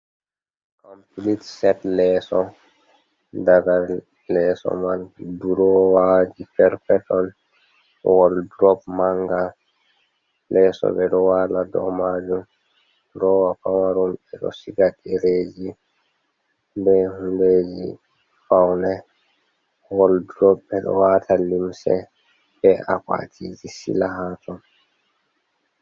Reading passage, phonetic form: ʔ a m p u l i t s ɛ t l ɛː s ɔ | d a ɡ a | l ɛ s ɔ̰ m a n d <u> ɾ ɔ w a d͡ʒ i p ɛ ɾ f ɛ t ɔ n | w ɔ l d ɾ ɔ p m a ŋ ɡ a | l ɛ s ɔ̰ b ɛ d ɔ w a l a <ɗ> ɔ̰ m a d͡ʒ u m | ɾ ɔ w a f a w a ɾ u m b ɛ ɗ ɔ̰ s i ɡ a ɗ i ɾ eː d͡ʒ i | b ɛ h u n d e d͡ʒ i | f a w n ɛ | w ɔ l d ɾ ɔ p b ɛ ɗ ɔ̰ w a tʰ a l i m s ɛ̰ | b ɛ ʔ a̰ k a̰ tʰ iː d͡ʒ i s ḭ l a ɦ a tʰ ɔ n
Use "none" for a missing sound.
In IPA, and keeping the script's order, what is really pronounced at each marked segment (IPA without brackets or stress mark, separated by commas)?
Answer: u, d